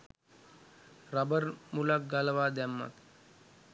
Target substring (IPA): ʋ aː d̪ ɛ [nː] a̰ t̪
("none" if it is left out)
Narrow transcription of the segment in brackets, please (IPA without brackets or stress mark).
mː